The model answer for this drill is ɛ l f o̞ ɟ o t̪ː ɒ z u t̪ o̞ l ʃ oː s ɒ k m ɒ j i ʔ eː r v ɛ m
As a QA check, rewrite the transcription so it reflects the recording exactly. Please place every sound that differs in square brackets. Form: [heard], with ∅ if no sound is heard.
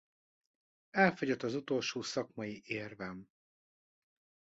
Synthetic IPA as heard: ɛ l f o̞ ɟ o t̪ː ɒ z u t̪ o̞ l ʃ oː s ɒ k m ɒ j i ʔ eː r v ɛ m